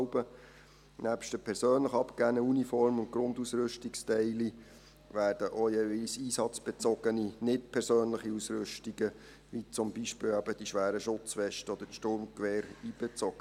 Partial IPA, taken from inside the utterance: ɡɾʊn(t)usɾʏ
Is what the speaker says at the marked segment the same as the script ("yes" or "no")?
no